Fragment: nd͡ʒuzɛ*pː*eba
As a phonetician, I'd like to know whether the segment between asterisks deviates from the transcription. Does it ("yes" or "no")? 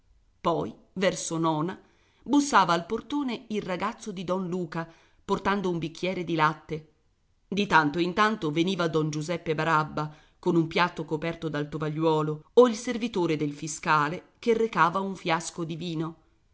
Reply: no